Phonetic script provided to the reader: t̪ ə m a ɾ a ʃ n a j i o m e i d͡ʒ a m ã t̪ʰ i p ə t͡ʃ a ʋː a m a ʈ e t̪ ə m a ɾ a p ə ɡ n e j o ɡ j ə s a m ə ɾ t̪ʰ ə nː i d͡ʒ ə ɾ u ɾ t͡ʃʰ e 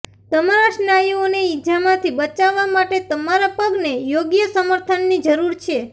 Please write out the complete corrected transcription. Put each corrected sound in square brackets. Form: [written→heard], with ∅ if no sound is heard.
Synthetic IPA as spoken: t̪ ə m a ɾ a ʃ n a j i o [m→n] e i d͡ʒ a m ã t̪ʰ i [p→b] ə t͡ʃ a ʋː a m a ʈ e t̪ ə m a ɾ a p ə ɡ n e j o ɡ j ə s [a→ə] m ə ɾ t̪ʰ ə nː i d͡ʒ ə ɾ u ɾ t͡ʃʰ e